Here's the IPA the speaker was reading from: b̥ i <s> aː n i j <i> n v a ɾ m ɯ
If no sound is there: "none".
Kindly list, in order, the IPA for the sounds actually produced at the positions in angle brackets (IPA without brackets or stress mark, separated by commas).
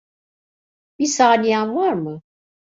s, a